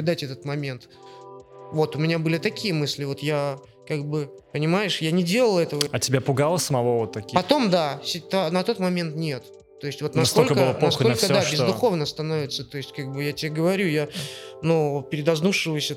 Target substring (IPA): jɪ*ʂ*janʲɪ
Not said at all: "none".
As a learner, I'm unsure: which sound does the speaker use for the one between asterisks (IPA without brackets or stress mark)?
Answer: ʂ